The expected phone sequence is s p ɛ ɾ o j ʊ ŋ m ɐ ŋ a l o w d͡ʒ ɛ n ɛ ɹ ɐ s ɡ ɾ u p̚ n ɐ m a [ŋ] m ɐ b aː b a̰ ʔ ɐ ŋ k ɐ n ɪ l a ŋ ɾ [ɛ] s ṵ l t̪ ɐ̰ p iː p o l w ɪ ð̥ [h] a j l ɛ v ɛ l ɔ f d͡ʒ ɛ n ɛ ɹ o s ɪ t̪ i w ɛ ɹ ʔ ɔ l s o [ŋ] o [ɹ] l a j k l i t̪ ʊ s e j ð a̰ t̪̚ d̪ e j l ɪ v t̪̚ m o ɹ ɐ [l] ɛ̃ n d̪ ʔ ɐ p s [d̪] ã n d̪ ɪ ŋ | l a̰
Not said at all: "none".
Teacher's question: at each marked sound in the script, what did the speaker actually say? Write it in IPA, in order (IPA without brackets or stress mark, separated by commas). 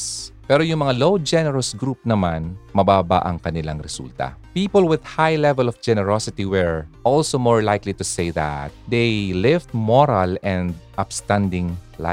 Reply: n, ɛ, h, m, ɹ, l, t̪